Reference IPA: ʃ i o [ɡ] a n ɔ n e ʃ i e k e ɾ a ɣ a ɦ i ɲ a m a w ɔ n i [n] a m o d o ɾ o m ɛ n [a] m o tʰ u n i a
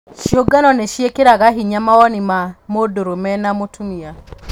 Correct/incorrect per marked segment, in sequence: correct, incorrect: m, correct

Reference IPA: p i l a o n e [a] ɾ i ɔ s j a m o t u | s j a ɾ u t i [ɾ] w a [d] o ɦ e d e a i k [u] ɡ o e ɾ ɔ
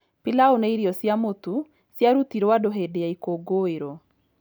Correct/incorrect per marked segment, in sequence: incorrect: i, correct, correct, incorrect: o

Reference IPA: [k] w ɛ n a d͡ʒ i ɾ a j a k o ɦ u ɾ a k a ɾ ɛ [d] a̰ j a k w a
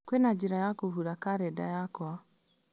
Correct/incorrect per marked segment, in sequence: correct, correct

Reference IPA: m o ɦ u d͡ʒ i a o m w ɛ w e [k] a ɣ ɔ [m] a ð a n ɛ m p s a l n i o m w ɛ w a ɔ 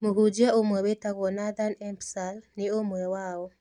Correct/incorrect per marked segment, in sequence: incorrect: t, incorrect: n

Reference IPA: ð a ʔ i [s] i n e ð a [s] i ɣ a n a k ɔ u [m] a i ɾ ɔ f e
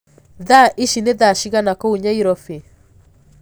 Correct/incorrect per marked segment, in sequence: incorrect: ʃ, incorrect: ʃ, incorrect: ɲ

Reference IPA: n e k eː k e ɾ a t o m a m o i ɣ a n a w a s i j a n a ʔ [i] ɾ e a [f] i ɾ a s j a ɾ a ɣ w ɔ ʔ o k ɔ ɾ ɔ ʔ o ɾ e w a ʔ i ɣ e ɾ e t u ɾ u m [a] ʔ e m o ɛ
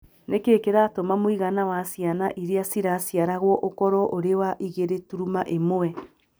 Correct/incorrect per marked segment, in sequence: correct, incorrect: s, correct

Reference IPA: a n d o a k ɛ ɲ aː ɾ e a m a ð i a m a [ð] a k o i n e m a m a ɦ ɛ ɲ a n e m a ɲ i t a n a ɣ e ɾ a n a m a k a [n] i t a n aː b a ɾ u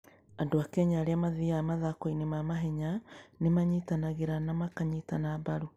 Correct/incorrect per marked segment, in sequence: correct, incorrect: ɲ

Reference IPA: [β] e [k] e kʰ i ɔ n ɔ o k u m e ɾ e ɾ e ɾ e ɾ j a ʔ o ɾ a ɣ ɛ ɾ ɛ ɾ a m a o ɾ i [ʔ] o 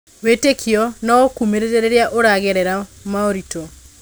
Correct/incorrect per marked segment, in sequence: incorrect: w, incorrect: t, incorrect: t

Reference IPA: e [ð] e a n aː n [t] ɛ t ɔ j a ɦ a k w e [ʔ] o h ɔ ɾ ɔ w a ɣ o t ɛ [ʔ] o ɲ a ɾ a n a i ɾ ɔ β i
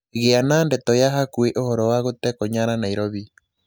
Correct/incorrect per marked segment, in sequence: incorrect: ɣ, incorrect: d, correct, incorrect: k

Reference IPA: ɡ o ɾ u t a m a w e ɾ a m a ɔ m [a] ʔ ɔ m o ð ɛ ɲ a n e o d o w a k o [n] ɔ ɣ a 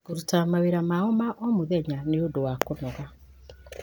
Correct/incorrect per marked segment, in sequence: correct, correct

